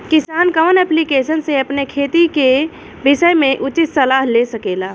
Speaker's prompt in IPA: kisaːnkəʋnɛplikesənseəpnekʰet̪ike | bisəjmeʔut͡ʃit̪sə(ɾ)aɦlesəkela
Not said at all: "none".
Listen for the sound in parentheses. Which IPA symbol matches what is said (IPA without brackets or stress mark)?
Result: l